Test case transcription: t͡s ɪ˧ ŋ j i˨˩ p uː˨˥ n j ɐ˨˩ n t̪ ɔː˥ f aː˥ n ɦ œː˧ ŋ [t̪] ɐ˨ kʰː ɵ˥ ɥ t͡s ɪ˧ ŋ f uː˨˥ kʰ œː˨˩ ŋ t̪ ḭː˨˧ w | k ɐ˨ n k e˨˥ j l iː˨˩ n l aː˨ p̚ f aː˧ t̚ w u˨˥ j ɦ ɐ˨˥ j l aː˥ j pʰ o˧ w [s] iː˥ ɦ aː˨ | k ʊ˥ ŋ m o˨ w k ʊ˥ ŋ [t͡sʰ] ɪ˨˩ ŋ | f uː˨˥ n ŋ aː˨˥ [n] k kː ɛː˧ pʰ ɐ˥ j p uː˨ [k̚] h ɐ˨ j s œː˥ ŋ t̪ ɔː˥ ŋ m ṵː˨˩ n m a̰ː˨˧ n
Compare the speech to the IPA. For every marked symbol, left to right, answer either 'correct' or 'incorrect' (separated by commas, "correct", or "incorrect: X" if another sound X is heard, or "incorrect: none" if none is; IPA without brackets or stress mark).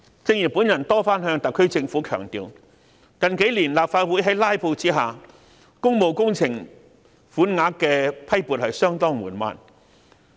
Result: correct, incorrect: t͡s, correct, incorrect: none, incorrect: t̚